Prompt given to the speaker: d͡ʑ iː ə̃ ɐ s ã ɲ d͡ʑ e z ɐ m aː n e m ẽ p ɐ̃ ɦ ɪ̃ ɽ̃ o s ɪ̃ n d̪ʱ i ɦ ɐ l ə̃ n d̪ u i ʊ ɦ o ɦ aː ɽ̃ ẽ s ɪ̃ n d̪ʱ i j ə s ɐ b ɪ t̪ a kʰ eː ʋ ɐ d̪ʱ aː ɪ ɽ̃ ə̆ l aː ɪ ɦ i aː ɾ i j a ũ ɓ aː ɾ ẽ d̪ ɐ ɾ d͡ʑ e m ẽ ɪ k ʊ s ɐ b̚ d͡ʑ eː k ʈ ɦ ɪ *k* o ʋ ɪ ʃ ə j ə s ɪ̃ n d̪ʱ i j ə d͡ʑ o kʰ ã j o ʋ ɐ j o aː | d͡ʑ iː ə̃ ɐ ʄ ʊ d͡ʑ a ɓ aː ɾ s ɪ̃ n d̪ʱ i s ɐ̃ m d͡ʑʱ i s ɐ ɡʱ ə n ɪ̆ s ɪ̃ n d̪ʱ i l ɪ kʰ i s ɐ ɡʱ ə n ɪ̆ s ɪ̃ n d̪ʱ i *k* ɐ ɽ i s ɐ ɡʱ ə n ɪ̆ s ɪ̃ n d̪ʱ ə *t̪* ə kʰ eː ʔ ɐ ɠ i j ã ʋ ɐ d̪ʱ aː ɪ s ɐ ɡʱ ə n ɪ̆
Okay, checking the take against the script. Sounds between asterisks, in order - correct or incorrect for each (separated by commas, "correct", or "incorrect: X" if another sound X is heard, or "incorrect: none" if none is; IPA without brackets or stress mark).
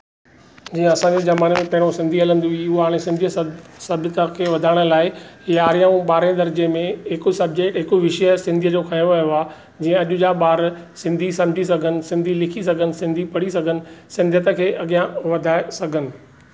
correct, incorrect: p, correct